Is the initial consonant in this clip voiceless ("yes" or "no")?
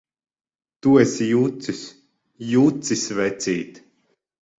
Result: yes